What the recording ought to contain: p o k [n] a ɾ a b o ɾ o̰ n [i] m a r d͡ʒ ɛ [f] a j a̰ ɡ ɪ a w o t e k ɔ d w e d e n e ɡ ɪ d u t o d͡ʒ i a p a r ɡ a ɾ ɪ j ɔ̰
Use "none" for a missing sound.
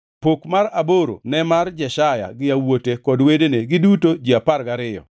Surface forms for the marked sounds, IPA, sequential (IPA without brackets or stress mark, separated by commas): m, ɛ, ʃ